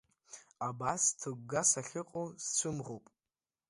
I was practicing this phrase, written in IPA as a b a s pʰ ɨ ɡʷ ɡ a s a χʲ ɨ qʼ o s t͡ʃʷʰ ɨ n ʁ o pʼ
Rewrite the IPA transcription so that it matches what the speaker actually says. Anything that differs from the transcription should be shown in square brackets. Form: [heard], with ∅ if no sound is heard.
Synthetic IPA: a b a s [tʰ] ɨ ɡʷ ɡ a s a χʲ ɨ qʼ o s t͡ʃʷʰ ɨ [m] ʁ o pʼ

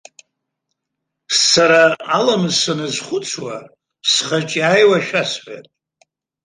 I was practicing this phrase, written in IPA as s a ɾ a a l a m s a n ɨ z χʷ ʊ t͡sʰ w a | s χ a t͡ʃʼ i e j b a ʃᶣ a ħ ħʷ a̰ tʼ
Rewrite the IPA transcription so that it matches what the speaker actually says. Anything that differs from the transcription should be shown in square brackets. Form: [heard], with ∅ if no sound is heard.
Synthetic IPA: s a ɾ a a l a m s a n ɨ z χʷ ʊ t͡sʰ w a | s χ a t͡ʃʼ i [a] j [w] a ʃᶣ a [s] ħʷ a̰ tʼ

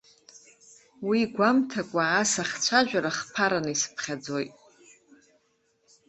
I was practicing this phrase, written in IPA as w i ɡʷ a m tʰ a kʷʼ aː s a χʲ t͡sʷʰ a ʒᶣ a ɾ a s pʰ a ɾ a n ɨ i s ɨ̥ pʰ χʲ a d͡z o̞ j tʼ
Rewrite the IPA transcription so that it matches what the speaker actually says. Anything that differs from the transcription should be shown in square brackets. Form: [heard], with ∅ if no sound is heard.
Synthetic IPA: w i ɡʷ a m tʰ a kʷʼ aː s a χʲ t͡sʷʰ a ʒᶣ a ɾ a [χ] pʰ a ɾ a n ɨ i s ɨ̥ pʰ χʲ a d͡z o̞ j tʼ

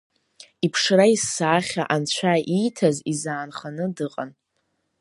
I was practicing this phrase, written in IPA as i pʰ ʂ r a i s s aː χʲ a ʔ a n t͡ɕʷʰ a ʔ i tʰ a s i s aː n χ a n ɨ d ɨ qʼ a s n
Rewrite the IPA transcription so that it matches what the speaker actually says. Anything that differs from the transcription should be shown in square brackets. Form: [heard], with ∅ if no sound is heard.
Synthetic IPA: i pʰ ʂ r a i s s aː χʲ a ʔ a n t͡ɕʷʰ a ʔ i tʰ a [z] i [z] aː n χ a n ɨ d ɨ qʼ a [∅] n

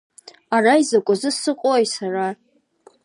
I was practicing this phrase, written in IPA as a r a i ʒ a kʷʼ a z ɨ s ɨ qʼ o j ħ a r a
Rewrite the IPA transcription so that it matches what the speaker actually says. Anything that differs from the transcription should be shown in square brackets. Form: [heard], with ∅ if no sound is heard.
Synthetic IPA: a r a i [z] a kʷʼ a z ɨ s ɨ qʼ o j [s] a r a

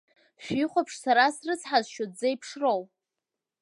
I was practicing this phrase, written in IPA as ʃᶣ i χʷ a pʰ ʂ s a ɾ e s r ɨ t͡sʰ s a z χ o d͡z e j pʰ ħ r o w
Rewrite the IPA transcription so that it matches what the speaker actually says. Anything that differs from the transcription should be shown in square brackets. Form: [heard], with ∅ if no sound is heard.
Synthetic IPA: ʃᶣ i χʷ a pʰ ʂ s a ɾ [a] s r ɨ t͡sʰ [ħ] a z [ʃ] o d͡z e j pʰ [ʂ] r o w

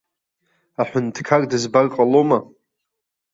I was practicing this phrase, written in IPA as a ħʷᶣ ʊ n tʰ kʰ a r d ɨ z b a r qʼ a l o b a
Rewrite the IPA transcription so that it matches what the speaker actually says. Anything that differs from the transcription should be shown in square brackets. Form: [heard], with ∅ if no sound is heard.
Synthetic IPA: a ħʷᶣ ʊ n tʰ kʰ a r d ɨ z b a r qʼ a l o [m] a

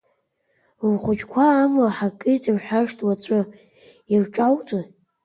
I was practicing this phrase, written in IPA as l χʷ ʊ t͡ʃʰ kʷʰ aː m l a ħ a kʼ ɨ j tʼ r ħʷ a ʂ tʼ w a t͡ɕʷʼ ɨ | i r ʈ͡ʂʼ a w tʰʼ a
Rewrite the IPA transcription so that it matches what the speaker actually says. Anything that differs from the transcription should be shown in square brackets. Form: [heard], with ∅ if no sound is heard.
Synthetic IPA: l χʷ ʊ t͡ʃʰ kʷʰ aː m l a ħ a kʼ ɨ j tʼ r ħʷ a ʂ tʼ w a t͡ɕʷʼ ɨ | i r ʈ͡ʂʼ a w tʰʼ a

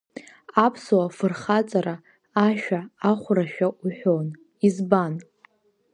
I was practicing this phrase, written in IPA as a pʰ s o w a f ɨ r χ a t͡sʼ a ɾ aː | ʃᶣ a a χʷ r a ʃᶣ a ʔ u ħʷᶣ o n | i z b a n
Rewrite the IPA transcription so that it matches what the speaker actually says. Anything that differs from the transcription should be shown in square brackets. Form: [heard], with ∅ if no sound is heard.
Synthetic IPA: a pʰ s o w a f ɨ r χ a t͡sʼ a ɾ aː | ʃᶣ a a χʷ r a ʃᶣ a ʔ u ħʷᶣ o n | i z b a n

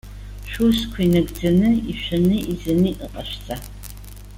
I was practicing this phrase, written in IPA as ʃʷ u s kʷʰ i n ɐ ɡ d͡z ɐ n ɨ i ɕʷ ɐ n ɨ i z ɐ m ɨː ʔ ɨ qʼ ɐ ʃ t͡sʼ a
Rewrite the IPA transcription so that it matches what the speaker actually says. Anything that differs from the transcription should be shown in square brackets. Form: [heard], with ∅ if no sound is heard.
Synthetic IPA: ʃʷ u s kʷʰ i n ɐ ɡ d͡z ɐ n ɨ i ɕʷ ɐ n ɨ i z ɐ [n] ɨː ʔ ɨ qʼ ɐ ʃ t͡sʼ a

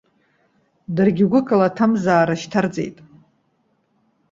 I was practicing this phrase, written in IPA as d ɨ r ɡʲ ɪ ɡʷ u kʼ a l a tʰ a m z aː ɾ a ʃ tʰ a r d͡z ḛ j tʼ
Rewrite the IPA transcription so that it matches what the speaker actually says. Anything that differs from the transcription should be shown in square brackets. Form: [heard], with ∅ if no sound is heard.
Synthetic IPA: d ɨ r ɡʲ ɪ ɡʷ [ʊ] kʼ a l a tʰ a m z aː ɾ a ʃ tʰ a r d͡z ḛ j tʼ

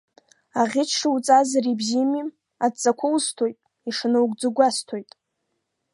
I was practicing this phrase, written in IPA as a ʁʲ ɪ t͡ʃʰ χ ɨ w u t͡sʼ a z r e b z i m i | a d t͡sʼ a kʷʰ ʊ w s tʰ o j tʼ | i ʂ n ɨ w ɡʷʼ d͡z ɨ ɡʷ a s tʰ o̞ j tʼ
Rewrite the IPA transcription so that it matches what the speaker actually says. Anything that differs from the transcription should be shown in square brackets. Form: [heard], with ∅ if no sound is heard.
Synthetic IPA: a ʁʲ ɪ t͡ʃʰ [ʂ] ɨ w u t͡sʼ a z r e b z i m i | a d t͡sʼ a kʷʰ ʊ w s tʰ o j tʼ | i ʂ n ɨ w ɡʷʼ d͡z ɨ ɡʷ a s tʰ o̞ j tʼ

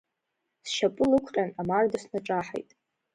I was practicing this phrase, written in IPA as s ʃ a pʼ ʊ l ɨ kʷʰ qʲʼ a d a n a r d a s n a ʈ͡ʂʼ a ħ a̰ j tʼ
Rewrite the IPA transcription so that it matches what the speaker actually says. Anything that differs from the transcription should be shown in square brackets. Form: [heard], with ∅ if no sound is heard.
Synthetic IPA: s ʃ a pʼ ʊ l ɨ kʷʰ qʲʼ a [n] a [m] a r d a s n a ʈ͡ʂʼ a ħ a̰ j tʼ

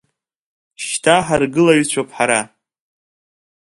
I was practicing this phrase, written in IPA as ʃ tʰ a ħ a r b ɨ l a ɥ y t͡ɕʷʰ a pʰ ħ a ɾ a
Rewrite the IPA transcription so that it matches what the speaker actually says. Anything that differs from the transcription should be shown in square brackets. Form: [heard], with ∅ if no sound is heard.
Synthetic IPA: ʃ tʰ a ħ a r [ɡ] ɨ l a ɥ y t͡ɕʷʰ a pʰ ħ a ɾ a

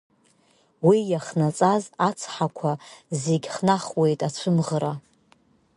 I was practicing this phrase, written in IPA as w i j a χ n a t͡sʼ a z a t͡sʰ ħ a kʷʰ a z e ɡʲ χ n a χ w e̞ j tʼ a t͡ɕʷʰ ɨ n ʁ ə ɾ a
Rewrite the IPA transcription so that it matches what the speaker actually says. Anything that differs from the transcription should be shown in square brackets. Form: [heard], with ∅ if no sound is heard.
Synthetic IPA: w i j a χ n a t͡sʼ a z a t͡sʰ ħ a kʷʰ a z e ɡʲ χ n a χ w e̞ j tʼ a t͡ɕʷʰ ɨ [m] ʁ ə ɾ a

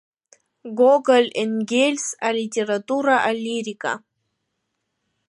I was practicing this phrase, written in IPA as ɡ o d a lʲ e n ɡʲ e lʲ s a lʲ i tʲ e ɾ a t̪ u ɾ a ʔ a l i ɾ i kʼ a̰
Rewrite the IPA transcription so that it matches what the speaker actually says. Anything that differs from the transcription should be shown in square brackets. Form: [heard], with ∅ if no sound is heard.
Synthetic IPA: ɡ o [ɡ] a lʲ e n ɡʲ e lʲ s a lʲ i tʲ e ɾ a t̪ u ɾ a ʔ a l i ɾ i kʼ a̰

